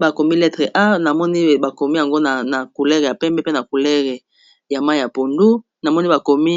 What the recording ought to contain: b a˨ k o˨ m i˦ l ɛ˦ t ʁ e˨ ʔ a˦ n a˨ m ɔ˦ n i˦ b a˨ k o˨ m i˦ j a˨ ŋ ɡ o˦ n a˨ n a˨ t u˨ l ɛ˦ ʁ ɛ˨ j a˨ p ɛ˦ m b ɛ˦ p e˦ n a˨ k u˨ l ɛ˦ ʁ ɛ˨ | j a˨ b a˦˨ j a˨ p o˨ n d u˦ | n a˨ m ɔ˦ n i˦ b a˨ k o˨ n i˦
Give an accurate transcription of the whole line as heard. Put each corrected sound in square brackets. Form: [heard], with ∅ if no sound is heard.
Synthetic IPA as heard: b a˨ k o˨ m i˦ l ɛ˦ t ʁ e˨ ʔ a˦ n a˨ m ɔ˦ n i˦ b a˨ k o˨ m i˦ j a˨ ŋ ɡ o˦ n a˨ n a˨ [k] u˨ l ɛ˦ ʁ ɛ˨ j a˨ p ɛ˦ m b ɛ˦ p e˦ n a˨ k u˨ l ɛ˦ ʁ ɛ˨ | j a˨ [m] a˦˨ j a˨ p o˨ n d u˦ | n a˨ m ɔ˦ n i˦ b a˨ k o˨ [m] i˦